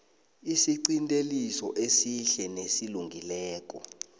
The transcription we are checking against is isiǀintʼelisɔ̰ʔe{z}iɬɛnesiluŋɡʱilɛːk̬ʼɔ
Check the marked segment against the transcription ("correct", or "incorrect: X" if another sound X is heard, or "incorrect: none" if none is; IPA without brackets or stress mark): incorrect: s